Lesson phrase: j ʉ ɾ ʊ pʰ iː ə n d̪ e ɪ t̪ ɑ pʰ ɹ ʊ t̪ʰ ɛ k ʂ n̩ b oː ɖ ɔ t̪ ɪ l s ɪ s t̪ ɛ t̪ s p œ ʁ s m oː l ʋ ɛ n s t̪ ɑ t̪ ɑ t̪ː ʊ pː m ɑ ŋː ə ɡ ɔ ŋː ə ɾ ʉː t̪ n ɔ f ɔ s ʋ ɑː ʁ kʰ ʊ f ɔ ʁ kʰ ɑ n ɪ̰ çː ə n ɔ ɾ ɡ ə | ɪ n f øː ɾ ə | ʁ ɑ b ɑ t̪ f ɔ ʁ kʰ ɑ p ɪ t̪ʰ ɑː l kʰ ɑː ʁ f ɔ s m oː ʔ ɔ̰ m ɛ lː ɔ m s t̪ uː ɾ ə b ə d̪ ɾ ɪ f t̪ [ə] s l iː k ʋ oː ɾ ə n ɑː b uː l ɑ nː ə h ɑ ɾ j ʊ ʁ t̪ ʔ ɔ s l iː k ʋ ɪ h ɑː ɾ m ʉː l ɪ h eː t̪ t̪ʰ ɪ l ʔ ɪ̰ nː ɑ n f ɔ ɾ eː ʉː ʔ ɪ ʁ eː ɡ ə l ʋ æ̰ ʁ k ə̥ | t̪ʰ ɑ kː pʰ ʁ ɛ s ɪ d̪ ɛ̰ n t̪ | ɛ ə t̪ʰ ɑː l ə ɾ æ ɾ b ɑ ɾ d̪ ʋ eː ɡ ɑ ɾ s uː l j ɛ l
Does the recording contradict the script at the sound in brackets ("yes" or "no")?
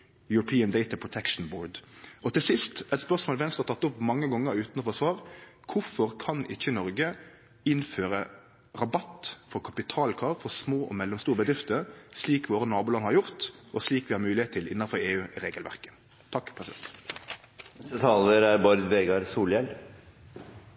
no